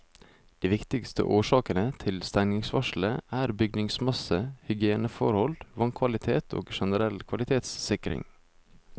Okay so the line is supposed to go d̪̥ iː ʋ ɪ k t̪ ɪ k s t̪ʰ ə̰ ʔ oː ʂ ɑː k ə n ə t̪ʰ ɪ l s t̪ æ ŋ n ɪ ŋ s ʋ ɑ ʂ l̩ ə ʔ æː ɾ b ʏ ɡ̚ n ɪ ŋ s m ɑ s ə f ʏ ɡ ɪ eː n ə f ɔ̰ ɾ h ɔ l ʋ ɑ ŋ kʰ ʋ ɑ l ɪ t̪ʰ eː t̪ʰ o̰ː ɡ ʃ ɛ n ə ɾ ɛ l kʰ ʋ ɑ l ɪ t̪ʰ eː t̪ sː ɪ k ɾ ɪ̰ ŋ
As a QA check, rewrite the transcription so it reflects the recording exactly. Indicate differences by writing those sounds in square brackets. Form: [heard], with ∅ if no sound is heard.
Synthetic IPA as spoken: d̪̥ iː ʋ ɪ k t̪ ɪ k s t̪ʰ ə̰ ʔ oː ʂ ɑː k ə n ə t̪ʰ ɪ l s t̪ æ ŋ n ɪ ŋ s ʋ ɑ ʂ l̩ ə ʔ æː ɾ b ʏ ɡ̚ n ɪ ŋ s m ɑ s ə [h] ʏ ɡ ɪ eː n ə f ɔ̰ ɾ h ɔ l ʋ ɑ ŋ kʰ ʋ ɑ l ɪ t̪ʰ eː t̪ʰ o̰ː ɡ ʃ ɛ n ə ɾ ɛ l kʰ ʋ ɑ l ɪ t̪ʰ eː t̪ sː ɪ k ɾ ɪ̰ ŋ